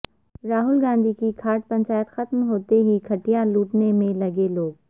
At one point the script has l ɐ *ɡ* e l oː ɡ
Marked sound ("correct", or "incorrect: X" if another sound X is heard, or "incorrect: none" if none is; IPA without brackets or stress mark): correct